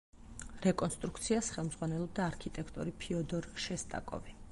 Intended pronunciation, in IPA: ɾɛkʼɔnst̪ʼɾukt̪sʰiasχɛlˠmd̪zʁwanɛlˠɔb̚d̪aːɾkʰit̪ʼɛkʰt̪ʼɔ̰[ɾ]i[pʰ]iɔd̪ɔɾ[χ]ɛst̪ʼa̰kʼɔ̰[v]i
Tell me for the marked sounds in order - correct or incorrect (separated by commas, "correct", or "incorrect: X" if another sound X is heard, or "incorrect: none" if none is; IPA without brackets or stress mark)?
correct, correct, incorrect: ʃ, correct